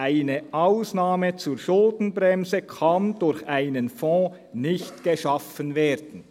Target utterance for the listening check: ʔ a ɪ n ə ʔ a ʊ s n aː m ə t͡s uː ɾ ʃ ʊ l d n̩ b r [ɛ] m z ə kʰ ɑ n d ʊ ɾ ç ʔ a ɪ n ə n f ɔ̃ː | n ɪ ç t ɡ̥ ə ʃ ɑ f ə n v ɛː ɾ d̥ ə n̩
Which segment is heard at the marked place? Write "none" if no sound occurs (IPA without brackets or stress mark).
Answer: ɛ